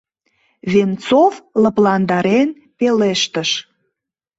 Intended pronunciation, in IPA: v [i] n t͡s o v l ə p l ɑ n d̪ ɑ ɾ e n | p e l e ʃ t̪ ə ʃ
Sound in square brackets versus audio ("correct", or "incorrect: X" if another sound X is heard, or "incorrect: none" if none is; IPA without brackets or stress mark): incorrect: e